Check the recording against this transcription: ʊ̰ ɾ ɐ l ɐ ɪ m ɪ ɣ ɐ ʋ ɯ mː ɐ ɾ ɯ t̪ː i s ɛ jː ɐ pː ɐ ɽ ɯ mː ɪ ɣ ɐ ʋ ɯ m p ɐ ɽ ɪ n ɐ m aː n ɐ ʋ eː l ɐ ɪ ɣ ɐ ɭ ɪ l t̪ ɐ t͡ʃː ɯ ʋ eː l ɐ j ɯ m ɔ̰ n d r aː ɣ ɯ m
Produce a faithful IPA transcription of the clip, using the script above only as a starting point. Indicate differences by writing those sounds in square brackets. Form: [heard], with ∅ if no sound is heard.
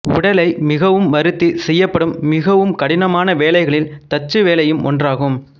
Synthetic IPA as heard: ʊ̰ [ɽ] ɐ l ɐ ɪ m ɪ ɣ ɐ ʋ ɯ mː ɐ ɾ ɯ t̪ː i s ɛ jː ɐ pː ɐ ɽ ɯ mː ɪ ɣ ɐ ʋ ɯ m [k] ɐ ɽ ɪ n ɐ m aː n ɐ ʋ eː l ɐ ɪ ɣ ɐ ɭ ɪ l t̪ ɐ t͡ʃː ɯ ʋ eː l ɐ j ɯ m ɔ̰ n d r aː ɣ ɯ m